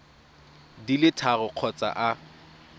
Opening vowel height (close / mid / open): close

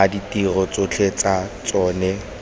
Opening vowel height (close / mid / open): open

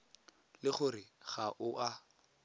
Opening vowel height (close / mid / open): close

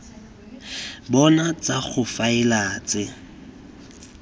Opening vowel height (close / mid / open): mid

